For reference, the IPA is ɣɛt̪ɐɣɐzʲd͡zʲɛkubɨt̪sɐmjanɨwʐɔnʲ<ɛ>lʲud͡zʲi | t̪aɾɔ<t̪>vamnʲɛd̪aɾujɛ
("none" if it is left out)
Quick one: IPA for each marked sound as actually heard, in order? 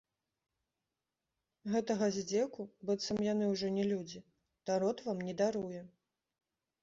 ɛ, t̪

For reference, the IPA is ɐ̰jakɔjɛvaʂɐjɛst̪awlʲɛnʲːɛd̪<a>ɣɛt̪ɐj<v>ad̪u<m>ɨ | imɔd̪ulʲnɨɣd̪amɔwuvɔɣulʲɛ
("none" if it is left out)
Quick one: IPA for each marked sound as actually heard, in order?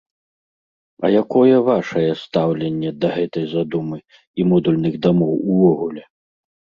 ɐ, z, m

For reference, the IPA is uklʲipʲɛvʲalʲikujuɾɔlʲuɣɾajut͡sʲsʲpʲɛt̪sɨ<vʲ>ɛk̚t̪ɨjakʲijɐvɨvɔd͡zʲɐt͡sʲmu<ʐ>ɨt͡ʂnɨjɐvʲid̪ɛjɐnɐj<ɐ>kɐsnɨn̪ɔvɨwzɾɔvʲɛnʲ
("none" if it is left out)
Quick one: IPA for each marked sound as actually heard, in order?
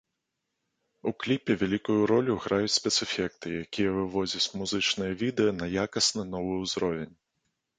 fʲ, z, a

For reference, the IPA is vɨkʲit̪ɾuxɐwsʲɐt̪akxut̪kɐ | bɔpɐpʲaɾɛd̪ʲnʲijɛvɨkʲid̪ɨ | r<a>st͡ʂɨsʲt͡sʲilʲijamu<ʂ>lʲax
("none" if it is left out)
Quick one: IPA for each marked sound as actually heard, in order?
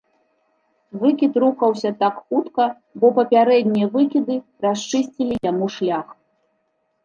a, ʂ

